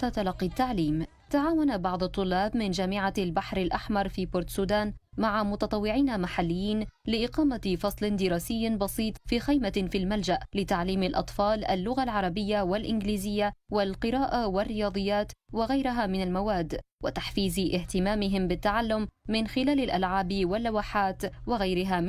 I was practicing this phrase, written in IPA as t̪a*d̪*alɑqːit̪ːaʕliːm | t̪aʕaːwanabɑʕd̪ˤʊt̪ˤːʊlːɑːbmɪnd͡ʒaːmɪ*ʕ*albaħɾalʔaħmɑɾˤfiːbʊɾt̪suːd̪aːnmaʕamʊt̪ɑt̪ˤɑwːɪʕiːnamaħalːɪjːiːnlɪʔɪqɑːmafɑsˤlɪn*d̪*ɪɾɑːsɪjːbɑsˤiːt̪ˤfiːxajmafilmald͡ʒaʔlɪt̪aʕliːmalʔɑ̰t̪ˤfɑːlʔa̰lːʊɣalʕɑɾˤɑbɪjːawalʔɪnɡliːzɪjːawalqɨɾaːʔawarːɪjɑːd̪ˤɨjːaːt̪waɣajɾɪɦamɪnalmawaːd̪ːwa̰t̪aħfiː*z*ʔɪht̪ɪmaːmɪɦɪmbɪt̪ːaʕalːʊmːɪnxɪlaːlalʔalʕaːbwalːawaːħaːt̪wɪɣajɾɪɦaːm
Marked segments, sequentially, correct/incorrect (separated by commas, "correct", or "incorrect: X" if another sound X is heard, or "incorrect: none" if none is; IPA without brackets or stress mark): incorrect: t̪, correct, correct, correct